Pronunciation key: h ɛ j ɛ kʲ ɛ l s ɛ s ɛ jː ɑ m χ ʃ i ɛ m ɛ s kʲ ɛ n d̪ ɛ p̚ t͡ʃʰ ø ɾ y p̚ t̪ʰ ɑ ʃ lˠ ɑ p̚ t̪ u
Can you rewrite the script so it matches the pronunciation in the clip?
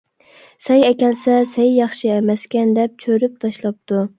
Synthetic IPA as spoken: s ɛ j ɛ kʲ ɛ l s ɛ s ɛ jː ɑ χ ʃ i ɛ m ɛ s kʲ ɛ n d̪ ɛ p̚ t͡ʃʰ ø ɾ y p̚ t̪ʰ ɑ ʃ lˠ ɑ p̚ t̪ u